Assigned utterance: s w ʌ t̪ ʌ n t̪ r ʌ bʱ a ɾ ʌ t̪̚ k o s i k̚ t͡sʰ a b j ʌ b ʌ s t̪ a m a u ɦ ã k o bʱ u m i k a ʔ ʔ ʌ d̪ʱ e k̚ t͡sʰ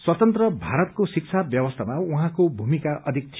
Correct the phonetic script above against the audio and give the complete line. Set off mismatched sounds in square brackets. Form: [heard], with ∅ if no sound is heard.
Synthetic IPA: s w ʌ t̪ ʌ n t̪ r ʌ bʱ a ɾ ʌ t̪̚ k o s i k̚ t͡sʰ a b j ʌ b ʌ s [t̪ʰ] a m a u ɦ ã k o bʱ u m i k a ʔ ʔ ʌ d̪ʱ [i] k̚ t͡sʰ